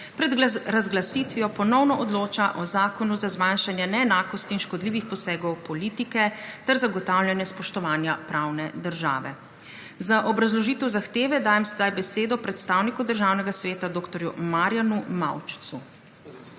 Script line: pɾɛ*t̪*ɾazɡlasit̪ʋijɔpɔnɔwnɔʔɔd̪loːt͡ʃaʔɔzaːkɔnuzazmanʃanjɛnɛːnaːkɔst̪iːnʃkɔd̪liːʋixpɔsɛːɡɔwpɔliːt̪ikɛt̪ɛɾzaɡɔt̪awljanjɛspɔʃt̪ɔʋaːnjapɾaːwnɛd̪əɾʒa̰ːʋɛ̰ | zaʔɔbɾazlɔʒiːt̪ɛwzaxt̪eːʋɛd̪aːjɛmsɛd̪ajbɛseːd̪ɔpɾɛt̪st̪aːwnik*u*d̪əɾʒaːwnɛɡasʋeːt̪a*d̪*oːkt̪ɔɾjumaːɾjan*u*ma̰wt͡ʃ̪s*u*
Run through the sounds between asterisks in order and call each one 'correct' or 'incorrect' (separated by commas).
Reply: incorrect, correct, correct, correct, correct